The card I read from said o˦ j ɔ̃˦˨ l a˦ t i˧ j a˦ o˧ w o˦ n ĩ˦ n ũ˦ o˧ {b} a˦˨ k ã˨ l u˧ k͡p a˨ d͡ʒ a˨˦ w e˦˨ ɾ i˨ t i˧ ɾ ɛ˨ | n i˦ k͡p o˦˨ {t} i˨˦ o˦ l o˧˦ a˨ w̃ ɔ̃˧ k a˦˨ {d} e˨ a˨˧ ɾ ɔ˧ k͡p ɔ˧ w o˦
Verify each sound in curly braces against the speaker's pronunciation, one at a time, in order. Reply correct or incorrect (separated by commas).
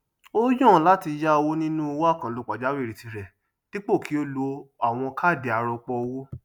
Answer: incorrect, incorrect, correct